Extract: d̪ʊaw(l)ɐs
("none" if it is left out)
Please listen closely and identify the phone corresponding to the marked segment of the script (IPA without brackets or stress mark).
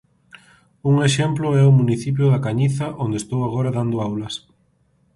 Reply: l